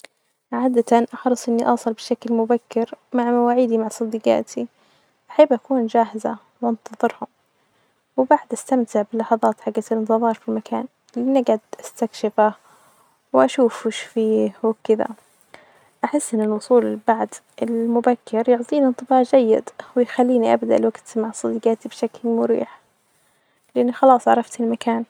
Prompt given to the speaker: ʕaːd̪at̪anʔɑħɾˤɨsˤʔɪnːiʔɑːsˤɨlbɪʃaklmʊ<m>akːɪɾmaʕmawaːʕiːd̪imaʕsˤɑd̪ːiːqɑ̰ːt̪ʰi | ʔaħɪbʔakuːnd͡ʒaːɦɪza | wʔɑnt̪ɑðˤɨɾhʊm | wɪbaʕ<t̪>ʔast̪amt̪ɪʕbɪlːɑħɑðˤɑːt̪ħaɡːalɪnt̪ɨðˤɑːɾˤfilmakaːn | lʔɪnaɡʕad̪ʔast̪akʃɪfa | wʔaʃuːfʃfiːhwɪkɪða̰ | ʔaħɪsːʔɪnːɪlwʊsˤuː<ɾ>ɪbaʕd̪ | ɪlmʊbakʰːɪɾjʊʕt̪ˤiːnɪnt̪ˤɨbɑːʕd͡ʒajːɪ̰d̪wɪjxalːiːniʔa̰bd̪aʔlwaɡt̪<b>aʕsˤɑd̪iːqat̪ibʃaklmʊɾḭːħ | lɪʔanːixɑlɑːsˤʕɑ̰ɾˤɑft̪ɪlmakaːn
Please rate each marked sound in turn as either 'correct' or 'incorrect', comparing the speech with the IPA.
incorrect: b, incorrect: d̪, incorrect: l, incorrect: m

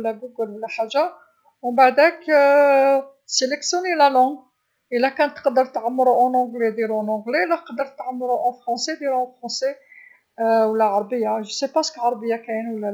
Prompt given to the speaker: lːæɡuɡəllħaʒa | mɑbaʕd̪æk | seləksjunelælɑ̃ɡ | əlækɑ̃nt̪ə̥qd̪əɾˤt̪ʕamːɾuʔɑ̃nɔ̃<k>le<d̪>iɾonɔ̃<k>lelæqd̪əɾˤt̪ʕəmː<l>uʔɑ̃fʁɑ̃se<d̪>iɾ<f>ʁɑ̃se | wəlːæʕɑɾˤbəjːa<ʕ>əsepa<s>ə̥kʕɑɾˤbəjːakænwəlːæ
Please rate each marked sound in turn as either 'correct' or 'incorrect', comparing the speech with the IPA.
incorrect: ɡ, correct, incorrect: ɡ, incorrect: ɾ, correct, correct, incorrect: ʒ, correct

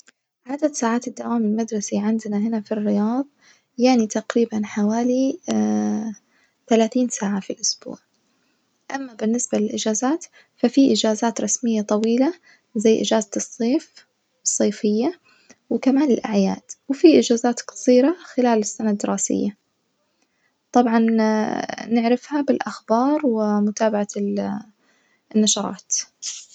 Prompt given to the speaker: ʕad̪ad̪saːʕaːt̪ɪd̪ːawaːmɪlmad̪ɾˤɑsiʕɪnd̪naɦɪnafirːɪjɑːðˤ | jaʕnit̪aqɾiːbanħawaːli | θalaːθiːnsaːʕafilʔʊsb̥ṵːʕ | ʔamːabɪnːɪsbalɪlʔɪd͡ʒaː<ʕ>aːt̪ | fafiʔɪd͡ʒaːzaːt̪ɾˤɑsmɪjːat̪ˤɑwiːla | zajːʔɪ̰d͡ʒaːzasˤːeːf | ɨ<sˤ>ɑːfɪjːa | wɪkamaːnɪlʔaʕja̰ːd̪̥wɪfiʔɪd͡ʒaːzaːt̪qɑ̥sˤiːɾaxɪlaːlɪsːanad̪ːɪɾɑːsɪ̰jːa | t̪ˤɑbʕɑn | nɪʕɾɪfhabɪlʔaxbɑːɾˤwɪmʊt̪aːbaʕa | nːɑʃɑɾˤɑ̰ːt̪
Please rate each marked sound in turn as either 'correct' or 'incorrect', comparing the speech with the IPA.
incorrect: z, incorrect: sˤː

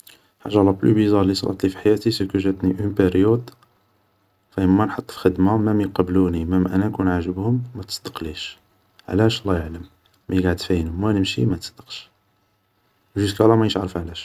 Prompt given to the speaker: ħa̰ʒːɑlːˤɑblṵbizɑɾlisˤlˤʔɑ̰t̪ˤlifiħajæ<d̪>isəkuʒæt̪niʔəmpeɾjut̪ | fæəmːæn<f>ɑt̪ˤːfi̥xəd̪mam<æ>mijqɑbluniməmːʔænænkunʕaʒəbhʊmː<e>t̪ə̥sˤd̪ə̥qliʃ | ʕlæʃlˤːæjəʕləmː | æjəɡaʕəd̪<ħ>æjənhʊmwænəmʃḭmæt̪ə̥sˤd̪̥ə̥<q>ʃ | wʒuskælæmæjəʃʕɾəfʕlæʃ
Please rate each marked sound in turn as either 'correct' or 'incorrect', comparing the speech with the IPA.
incorrect: t̪, incorrect: ħ, correct, incorrect: æ, incorrect: f, correct

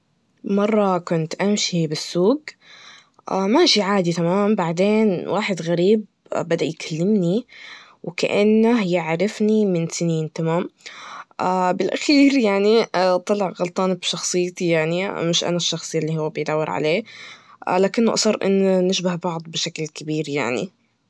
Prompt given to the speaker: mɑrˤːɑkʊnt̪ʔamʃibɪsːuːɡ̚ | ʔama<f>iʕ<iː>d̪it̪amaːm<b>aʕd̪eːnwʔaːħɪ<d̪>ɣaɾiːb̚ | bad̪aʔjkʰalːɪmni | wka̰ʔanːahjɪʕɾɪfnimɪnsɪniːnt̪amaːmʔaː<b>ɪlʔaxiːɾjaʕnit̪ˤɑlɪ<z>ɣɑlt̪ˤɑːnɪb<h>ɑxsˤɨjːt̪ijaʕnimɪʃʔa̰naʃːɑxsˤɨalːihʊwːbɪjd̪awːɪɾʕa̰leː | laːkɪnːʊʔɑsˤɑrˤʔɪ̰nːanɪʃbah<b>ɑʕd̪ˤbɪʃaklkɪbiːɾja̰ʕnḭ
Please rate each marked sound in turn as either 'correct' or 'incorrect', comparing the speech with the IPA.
incorrect: ʃ, incorrect: aː, correct, correct, correct, incorrect: ʕ, incorrect: ʃ, correct

